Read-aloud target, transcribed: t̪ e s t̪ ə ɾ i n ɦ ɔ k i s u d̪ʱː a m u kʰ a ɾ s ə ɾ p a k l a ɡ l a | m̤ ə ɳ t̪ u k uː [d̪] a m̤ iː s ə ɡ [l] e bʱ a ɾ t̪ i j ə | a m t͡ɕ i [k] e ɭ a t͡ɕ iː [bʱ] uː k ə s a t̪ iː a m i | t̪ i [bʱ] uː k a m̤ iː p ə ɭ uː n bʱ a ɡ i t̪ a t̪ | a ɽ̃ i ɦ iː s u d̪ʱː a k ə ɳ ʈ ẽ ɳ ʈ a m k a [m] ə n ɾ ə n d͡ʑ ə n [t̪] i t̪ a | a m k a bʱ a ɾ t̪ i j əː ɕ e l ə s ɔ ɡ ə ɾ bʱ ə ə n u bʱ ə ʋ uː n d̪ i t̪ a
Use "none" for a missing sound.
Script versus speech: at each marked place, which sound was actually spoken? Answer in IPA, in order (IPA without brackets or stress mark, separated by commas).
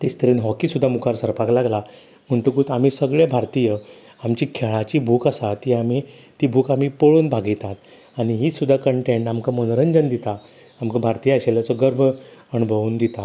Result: t̪, ɭ, kʰ, bʱ, bʱ, m, d̪